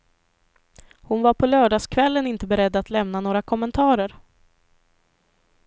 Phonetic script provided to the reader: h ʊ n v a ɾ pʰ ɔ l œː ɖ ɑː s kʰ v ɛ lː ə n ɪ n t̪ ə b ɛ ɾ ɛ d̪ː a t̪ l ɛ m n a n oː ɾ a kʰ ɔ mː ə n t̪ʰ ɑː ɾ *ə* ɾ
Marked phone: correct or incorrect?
correct